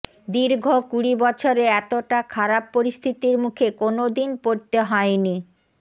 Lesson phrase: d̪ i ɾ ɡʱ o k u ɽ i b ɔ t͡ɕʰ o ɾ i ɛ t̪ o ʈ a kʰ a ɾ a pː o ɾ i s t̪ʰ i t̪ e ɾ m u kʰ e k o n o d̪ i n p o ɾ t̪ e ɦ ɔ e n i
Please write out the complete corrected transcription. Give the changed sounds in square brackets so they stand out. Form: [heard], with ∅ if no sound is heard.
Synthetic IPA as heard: d̪ i ɾ ɡʱ o k u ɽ i b ɔ t͡ɕʰ o ɾ [e] ɛ t̪ o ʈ a kʰ a ɾ a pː o ɾ i s t̪ʰ i t̪ [i] ɾ m u kʰ e k o n o d̪ i n p o ɾ t̪ e ɦ ɔ e n i